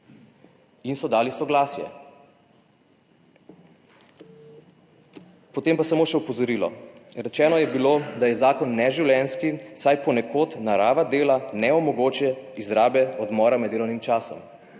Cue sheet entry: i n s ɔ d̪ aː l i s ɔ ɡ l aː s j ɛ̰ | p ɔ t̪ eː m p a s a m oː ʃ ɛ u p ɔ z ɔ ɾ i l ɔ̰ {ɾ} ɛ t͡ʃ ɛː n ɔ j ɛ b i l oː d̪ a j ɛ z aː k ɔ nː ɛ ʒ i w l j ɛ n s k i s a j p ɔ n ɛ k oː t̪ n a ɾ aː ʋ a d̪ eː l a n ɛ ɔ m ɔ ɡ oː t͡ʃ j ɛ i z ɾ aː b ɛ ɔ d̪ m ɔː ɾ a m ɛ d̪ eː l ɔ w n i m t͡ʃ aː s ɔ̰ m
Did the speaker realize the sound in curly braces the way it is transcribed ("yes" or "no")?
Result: yes